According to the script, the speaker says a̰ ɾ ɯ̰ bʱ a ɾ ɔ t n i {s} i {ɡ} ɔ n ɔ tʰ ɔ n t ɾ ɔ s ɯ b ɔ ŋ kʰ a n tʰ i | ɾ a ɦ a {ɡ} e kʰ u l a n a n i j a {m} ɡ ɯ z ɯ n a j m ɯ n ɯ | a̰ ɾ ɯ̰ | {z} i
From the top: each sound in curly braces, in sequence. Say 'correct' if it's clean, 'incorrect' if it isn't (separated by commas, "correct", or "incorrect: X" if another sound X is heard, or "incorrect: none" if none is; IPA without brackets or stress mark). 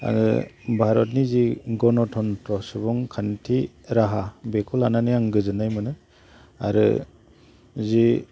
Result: incorrect: z, correct, incorrect: b, incorrect: ŋ, correct